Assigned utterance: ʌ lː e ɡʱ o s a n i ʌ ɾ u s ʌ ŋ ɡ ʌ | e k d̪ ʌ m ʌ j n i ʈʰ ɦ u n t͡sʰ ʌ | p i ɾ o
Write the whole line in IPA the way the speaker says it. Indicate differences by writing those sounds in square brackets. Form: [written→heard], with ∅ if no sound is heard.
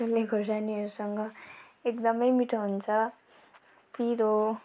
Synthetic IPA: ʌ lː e ɡʱ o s a n i ʌ ɾ u s ʌ ŋ ɡ ʌ | e k d̪ ʌ m ʌ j [n→m] i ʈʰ ɦ u n t͡sʰ ʌ | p i ɾ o